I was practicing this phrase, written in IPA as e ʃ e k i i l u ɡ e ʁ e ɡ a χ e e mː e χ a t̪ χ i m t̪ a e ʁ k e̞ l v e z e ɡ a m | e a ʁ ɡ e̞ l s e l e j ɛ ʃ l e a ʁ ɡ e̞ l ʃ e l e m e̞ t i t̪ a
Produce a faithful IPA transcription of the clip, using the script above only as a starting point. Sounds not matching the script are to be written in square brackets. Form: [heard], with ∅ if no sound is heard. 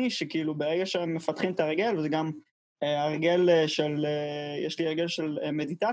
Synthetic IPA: [i] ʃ e k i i l u [b] e ʁ e ɡ a [ʃ] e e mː e [f] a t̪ χ i m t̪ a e ʁ [ɡ] e̞ l v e z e ɡ a m | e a ʁ ɡ e̞ l [ʃ] e l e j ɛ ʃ l [i] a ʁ ɡ e̞ l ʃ e l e m e̞ [d] i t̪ a